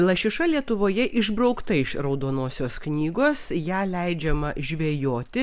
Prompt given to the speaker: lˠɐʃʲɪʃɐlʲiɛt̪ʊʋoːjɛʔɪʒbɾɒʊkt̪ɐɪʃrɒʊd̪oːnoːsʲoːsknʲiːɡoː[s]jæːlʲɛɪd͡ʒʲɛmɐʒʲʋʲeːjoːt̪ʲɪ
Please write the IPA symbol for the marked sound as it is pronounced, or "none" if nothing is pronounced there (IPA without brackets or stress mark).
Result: s